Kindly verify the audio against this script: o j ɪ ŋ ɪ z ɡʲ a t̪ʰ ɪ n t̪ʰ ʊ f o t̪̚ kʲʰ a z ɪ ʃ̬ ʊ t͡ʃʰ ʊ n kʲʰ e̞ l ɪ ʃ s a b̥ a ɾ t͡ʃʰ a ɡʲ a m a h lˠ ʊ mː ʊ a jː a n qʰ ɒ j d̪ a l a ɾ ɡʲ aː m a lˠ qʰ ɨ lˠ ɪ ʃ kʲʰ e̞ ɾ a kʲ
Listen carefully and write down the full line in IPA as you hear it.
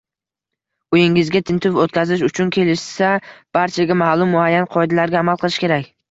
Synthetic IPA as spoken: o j ɪ ŋ ɪ z ɡʲ a t̪ʰ ɪ n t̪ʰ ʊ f o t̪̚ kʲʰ a z ɪ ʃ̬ ʊ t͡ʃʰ ʊ n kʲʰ e̞ l ɪ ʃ s a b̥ a ɾ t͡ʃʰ a ɡʲ a m a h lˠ ʊ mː ʊ a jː a n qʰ ɒ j d̪ a l a ɾ ɡʲ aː m a lˠ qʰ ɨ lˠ ɪ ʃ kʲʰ e̞ ɾ a kʲ